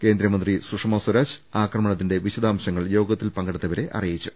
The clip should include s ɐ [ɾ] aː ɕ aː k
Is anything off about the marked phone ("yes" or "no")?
no